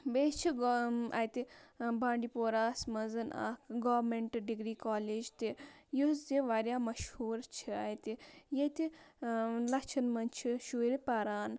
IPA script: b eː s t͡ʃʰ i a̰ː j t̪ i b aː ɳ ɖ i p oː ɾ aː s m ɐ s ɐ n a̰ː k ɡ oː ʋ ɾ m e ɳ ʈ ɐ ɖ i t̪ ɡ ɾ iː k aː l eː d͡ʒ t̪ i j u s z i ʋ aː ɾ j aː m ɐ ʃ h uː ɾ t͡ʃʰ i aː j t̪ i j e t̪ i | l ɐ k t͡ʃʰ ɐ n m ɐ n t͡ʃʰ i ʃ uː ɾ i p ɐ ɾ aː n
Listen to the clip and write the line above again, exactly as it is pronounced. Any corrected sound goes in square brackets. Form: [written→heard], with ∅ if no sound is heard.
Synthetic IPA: b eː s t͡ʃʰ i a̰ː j t̪ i b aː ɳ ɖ i p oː ɾ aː s m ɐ [s→z] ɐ n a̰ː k ɡ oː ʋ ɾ m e ɳ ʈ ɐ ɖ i [t̪→∅] ɡ ɾ iː k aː l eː d͡ʒ t̪ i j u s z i ʋ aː ɾ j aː m ɐ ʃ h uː ɾ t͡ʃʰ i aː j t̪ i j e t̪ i | l ɐ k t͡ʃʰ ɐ n m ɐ n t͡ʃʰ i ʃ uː ɾ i p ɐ ɾ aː n